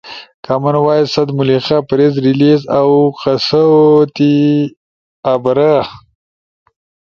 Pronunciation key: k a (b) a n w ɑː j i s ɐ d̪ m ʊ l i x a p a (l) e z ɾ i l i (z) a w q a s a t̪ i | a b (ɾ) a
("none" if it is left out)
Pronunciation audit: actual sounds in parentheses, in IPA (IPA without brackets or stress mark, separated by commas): m, ɾ, z, ɾ